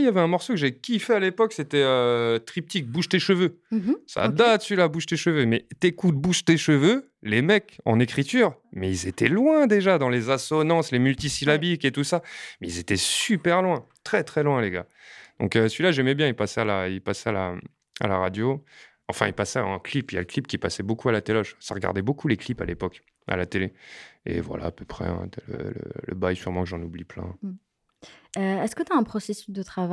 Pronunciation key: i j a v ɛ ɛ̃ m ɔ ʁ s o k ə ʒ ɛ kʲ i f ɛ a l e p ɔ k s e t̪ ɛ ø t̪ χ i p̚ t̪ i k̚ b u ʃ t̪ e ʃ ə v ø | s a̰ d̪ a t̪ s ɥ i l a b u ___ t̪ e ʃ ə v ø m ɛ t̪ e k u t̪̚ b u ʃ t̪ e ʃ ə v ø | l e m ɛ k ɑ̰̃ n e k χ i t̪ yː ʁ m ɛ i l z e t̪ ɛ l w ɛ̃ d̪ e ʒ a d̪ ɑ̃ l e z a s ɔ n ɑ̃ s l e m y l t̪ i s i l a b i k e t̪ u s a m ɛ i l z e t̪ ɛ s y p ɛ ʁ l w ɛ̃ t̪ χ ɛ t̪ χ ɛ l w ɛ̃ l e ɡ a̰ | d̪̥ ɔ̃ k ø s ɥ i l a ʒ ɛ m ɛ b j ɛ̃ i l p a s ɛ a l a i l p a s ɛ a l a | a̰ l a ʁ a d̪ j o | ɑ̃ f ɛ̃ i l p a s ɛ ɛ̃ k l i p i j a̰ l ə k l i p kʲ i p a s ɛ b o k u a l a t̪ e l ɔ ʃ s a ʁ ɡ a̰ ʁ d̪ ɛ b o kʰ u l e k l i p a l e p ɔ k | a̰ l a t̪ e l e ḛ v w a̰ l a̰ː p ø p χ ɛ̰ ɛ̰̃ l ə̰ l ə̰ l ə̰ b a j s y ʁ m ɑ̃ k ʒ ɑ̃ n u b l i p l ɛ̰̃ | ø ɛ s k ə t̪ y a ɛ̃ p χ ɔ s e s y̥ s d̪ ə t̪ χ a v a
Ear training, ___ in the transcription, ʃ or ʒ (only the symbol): ʃ